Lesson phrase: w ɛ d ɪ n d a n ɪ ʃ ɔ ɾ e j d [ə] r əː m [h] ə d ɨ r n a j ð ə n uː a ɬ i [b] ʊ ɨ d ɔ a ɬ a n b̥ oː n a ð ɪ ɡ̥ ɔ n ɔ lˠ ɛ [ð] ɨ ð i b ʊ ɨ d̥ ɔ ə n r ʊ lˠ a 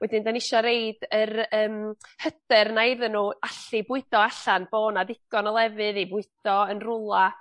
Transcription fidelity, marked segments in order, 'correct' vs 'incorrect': correct, correct, correct, incorrect: v

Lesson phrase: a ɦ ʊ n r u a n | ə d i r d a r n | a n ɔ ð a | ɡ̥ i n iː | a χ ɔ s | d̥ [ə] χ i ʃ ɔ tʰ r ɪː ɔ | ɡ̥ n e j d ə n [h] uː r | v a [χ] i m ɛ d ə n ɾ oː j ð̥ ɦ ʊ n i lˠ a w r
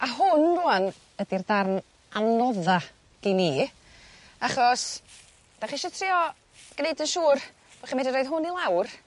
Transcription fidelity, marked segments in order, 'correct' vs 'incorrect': incorrect: a, incorrect: ʃ, correct

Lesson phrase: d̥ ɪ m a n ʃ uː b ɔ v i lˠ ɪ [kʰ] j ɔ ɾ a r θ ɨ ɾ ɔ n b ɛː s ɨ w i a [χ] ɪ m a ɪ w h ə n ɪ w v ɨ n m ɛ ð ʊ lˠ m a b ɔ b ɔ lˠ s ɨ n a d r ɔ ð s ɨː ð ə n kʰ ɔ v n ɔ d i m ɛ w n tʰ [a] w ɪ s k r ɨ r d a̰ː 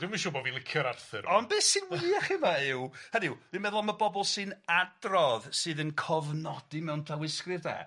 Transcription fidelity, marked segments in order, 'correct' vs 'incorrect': correct, correct, correct

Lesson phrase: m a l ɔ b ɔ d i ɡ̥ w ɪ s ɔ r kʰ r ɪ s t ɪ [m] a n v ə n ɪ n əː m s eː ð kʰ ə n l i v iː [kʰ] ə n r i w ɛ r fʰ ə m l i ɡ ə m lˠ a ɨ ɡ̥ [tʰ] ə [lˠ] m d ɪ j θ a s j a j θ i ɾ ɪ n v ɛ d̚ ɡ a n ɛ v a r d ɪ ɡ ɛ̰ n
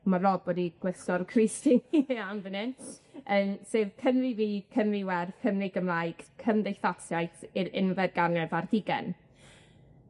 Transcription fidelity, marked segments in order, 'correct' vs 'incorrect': incorrect: n, correct, incorrect: kʰ, incorrect: none

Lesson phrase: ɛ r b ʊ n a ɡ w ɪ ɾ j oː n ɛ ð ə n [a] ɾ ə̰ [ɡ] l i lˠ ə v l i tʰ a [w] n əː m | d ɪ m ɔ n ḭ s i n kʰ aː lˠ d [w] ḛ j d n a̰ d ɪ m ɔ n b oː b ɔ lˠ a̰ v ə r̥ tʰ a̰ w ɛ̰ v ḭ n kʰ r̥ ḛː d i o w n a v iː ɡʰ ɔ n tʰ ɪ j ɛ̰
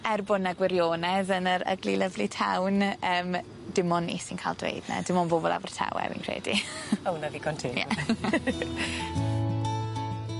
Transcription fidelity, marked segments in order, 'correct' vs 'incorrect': incorrect: ə, correct, correct, correct

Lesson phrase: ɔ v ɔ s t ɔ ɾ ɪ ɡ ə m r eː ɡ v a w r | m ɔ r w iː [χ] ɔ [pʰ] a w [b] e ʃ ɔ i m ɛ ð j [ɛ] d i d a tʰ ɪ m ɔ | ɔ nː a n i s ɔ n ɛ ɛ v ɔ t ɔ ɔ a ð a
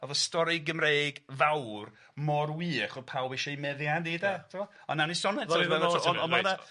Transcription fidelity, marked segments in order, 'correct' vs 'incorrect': correct, correct, correct, incorrect: a

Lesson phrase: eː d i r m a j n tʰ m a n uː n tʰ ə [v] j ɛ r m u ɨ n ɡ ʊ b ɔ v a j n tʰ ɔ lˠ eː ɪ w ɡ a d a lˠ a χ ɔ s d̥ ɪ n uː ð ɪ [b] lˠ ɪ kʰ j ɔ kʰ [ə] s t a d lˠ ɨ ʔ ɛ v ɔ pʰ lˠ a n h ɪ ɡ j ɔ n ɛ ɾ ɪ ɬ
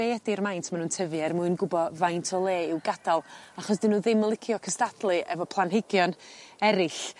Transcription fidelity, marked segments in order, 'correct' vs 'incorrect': correct, incorrect: m, correct

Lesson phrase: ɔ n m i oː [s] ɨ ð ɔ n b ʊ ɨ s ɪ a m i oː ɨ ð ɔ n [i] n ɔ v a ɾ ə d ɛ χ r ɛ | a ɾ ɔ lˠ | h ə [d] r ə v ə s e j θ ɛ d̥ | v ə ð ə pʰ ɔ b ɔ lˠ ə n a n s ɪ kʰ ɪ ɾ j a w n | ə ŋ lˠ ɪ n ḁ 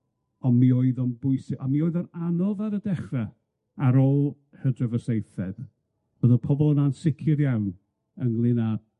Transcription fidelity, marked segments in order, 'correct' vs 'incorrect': incorrect: none, incorrect: a, correct

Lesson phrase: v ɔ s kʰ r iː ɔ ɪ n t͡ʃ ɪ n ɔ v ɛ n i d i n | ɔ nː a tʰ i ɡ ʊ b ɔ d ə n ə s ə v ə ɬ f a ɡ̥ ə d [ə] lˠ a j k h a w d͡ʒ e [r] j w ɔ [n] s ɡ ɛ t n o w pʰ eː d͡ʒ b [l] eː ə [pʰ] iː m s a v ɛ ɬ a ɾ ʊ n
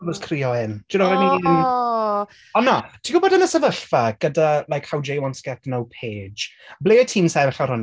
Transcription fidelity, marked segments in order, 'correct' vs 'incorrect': incorrect: a, incorrect: none, correct, correct, incorrect: tʰ

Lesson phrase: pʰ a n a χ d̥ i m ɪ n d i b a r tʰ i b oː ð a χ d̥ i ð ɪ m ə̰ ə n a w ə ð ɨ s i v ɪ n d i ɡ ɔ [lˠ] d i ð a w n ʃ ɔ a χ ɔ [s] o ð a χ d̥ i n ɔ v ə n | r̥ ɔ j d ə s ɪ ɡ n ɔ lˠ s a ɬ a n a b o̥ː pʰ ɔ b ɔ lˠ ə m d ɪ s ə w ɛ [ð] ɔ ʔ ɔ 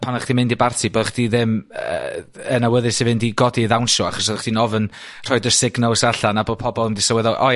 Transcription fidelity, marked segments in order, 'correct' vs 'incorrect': incorrect: none, correct, correct

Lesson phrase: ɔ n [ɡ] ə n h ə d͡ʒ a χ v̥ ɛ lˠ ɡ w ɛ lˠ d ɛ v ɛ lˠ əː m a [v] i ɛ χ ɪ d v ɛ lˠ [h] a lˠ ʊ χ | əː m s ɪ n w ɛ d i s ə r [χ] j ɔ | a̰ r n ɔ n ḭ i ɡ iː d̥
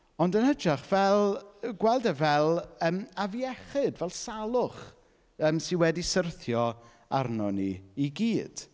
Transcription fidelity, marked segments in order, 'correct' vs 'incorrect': incorrect: d, correct, incorrect: s, incorrect: θ

